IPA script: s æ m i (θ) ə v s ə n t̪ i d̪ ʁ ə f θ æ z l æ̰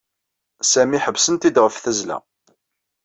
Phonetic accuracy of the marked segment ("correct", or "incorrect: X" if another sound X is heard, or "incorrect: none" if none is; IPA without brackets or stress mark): incorrect: ħ